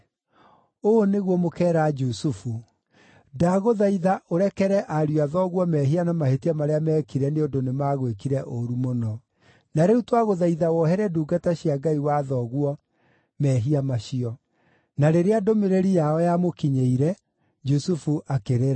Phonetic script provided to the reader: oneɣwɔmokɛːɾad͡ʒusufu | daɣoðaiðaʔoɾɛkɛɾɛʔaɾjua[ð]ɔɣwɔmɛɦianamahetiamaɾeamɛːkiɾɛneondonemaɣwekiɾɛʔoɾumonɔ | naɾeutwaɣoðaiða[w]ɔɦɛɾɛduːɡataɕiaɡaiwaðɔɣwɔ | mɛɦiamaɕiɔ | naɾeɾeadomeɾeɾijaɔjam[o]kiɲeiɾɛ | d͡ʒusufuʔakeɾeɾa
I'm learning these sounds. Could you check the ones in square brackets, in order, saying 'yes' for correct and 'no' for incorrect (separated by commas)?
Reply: yes, yes, yes